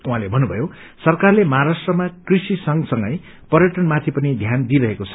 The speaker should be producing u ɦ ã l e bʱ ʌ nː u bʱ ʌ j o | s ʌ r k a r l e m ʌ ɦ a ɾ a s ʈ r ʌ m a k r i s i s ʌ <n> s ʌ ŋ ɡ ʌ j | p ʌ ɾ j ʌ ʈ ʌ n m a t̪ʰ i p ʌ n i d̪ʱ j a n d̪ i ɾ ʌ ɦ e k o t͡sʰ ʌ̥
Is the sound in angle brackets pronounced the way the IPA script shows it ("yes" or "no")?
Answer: no